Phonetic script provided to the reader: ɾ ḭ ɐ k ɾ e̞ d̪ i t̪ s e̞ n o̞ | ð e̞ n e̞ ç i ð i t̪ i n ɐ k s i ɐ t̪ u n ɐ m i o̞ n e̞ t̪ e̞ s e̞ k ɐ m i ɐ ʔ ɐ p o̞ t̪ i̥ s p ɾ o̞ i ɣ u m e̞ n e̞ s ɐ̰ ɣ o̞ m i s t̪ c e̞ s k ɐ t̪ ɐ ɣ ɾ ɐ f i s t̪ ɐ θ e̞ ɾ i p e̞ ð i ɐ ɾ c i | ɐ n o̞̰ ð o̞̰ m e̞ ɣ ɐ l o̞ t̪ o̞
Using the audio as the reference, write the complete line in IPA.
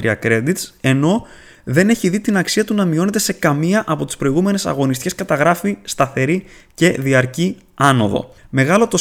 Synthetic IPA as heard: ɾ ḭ ɐ k ɾ e̞ d̪ i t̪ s e̞ n o̞ | ð e̞ n e̞ ç i ð i t̪ i n ɐ k s i ɐ t̪ u n ɐ m i o̞ n e̞ t̪ e̞ s e̞ k ɐ m i ɐ ʔ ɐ p o̞ t̪ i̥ s p ɾ o̞ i ɣ u m e̞ n e̞ s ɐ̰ ɣ o̞ n i s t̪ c e̞ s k ɐ t̪ ɐ ɣ ɾ ɐ f i s t̪ ɐ θ e̞ ɾ i c e̞ ð i ɐ ɾ c i | ɐ n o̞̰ ð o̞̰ m e̞ ɣ ɐ l o̞ t̪ o̞